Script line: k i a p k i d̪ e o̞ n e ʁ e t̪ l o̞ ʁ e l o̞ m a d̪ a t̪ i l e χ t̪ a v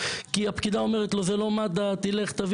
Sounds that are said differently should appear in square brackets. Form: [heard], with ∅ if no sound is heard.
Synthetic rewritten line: k i a p k i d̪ [a] o̞ [m] e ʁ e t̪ l o̞ [z] e l o̞ m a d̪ a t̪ i l e χ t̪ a v